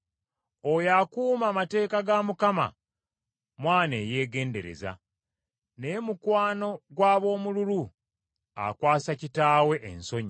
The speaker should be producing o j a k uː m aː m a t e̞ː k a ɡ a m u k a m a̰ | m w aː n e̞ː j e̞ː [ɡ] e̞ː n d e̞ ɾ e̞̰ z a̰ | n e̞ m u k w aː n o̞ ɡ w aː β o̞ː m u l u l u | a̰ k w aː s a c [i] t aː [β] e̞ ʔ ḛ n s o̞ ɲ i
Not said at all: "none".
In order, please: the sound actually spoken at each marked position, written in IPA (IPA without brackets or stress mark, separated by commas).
ɡ, i, w